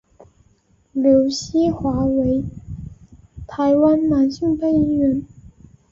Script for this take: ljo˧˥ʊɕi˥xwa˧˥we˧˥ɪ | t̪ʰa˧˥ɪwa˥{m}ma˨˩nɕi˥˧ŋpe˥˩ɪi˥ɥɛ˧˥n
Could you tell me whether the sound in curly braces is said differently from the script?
yes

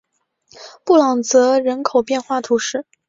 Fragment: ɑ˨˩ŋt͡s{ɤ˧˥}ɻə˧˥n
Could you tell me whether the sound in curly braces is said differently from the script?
no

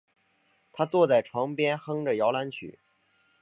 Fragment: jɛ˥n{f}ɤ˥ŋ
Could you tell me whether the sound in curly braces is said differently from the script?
yes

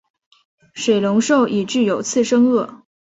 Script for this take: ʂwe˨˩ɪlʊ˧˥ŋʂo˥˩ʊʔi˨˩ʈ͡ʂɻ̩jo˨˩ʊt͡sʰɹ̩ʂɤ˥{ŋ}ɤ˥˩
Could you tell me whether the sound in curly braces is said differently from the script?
no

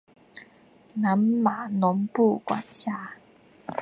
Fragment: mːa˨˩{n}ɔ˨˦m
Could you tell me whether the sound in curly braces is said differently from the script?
no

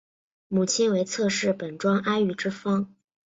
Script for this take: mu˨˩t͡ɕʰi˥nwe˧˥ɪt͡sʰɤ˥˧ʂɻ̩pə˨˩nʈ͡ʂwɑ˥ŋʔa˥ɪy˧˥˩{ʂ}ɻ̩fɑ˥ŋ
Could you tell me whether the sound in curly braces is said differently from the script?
yes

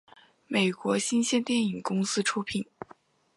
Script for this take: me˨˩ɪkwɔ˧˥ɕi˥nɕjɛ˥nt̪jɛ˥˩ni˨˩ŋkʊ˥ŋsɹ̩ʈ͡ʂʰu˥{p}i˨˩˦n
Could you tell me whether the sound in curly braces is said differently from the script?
yes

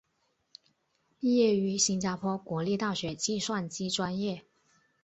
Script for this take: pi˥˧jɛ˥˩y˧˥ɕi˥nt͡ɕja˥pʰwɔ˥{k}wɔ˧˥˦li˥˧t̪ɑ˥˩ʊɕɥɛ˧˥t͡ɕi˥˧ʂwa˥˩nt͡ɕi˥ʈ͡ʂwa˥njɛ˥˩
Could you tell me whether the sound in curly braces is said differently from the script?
no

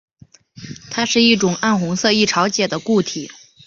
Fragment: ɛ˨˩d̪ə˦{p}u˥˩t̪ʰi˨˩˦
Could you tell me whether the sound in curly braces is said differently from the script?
yes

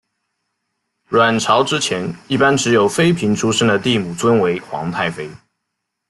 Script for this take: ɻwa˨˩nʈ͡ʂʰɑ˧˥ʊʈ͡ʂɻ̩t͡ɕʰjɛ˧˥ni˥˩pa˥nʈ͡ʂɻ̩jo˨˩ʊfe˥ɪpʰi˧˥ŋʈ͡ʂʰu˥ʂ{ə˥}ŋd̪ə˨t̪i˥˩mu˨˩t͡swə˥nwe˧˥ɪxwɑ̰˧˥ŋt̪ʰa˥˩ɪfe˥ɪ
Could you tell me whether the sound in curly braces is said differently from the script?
no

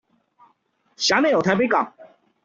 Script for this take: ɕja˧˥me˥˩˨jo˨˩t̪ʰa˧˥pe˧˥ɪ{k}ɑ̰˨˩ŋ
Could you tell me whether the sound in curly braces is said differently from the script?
no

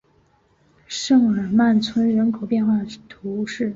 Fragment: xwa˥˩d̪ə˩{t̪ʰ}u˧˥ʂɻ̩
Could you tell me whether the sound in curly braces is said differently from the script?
no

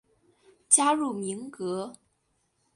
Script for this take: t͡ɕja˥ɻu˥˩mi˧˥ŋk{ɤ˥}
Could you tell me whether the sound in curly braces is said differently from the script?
yes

